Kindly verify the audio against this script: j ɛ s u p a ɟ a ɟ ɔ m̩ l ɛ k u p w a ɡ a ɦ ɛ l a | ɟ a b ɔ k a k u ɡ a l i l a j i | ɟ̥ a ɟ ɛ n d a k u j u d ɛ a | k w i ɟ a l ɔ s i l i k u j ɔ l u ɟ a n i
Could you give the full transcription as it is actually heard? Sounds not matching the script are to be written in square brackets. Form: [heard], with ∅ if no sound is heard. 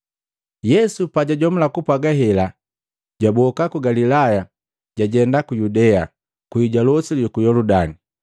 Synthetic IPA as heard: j ɛ s u p a ɟ a ɟ ɔ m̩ l [a] k u p w a ɡ a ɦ ɛ l a | ɟ a b ɔ k a k u ɡ a l i l a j [a] | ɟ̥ a ɟ ɛ n d a k u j u d ɛ a | k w i ɟ a l ɔ s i l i k u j ɔ l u [d] a n i